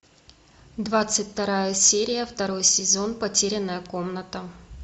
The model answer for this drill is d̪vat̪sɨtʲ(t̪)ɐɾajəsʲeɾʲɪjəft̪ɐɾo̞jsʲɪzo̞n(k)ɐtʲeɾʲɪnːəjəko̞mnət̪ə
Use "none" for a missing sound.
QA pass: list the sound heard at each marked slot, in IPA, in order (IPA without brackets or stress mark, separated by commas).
t̪, p